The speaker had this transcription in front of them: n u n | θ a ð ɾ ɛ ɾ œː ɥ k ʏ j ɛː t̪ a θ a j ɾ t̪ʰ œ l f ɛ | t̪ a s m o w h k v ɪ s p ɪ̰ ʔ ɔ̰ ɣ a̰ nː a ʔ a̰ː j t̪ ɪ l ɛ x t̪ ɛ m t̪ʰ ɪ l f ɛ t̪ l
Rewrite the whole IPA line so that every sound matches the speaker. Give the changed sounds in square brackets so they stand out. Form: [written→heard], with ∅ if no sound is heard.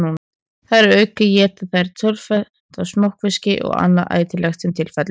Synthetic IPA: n u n | θ a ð ɾ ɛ ɾ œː ɥ k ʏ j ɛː t̪ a θ a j ɾ t̪ʰ œ l f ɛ | t̪ a s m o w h k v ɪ s [p→c] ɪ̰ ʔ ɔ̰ ɣ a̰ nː a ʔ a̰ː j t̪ ɪ l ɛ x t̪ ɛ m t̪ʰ ɪ l f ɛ t̪ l